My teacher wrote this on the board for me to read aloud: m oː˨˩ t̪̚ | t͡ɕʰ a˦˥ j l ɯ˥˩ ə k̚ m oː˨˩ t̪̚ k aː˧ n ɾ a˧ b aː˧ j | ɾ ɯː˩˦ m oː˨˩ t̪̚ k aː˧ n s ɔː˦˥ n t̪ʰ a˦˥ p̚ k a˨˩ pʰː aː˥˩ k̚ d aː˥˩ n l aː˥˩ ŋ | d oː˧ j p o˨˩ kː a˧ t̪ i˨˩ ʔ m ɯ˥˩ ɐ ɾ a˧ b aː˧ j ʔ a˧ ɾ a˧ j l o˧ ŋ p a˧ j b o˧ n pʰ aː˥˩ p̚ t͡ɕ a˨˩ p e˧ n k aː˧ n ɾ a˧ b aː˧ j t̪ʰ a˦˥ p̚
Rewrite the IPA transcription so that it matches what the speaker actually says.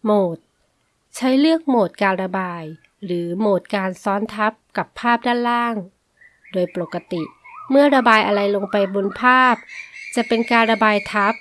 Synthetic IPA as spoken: m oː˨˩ t̪̚ | t͡ɕʰ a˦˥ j l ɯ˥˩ ə k̚ m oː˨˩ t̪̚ k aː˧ n ɾ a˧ b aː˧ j | ɾ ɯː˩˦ m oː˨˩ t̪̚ k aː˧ n s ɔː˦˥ n t̪ʰ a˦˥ p̚ k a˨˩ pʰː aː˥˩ p̚ d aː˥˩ n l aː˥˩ ŋ | d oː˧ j p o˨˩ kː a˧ t̪ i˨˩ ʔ m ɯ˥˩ ɐ ɾ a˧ b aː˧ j ʔ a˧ ɾ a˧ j l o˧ ŋ p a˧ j b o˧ n pʰ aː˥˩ p̚ t͡ɕ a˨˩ p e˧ n k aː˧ n ɾ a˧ b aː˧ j t̪ʰ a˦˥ p̚